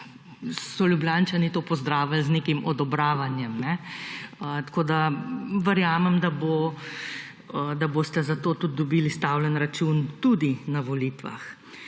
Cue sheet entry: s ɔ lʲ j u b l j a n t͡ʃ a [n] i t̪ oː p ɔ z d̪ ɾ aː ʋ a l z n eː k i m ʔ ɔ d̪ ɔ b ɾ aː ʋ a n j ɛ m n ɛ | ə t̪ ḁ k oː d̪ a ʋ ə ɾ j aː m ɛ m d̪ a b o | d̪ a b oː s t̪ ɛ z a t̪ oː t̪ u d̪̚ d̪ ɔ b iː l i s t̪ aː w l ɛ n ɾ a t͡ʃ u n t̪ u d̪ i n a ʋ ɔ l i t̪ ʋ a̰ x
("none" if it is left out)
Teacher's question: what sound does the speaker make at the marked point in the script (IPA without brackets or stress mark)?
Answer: n